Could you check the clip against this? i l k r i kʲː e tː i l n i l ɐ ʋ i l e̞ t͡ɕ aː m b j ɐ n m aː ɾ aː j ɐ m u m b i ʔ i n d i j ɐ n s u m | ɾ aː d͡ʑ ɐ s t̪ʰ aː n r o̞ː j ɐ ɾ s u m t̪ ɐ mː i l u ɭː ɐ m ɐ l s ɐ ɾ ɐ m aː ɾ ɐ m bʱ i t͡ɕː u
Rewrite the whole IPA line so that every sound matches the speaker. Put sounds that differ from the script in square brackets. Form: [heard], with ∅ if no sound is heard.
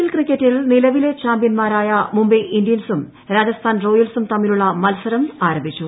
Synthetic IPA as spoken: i l k r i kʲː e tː i l n i l ɐ ʋ i l e̞ t͡ɕ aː m b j ɐ n m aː ɾ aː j ɐ m u m b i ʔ i n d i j ɐ n s u m | ɾ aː d͡ʑ ɐ s t̪ʰ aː n r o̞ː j ɐ [l] s u m t̪ ɐ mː i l u ɭː ɐ m ɐ l s ɐ ɾ ɐ m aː ɾ ɐ m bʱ i t͡ɕː u